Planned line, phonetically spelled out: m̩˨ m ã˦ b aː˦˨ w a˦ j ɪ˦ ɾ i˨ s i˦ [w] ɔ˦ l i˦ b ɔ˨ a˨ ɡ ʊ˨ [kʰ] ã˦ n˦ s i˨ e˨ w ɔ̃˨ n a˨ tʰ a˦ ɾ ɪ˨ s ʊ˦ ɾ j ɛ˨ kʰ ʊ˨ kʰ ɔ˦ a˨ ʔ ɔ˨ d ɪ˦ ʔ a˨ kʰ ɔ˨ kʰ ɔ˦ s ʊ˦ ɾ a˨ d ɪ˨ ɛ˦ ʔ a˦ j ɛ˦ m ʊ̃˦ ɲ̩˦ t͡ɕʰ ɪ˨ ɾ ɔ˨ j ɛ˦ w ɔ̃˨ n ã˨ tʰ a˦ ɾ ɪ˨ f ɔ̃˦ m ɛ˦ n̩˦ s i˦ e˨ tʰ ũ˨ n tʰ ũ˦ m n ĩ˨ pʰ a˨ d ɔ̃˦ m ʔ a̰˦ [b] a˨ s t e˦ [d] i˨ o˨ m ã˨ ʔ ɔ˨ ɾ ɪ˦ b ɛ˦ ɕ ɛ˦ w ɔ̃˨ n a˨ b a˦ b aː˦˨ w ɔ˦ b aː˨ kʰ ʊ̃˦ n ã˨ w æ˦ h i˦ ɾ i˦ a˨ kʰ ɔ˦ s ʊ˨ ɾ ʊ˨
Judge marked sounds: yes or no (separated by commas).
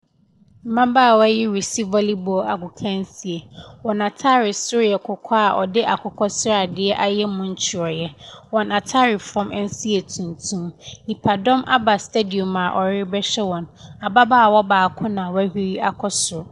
no, yes, yes, yes